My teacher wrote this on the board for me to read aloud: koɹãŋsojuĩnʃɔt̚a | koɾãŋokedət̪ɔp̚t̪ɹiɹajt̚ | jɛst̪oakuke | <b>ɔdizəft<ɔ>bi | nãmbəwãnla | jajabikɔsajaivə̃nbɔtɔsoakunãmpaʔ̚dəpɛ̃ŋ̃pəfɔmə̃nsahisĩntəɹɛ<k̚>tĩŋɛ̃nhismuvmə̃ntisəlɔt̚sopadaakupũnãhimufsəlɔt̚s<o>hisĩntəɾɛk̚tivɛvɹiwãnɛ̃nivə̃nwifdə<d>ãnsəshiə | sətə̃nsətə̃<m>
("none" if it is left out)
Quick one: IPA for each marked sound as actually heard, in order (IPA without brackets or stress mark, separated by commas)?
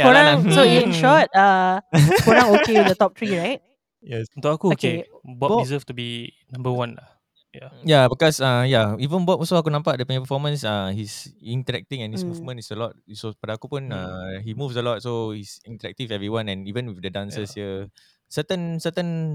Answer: b, u, k̚, o, d, n